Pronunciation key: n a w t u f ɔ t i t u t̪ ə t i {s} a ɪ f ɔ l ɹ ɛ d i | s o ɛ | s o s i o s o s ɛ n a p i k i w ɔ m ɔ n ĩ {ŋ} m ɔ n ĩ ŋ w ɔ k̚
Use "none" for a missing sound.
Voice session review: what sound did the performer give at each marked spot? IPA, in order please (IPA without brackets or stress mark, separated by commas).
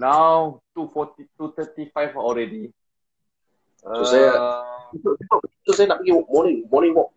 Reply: f, ŋ